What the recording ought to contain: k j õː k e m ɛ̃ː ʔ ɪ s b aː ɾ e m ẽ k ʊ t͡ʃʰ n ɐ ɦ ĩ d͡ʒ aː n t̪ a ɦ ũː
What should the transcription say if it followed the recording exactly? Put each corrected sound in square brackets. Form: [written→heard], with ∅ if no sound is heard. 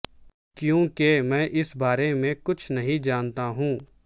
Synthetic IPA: k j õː k e m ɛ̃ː ʔ ɪ s b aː ɾ e m ẽ k ʊ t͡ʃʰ n ɐ ɦ ĩ d͡ʒ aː n t̪ a ɦ ũː